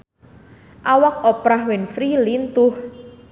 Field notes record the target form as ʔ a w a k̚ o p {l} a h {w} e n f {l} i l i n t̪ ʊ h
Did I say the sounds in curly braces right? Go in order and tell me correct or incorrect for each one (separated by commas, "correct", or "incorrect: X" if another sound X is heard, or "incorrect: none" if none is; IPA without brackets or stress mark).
incorrect: ɾ, correct, incorrect: ɾ